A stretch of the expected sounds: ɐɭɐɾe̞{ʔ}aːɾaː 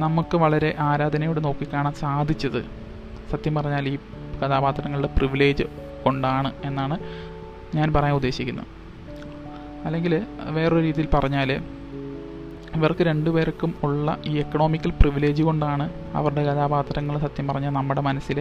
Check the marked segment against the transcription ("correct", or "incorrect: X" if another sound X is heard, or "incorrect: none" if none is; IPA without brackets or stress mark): correct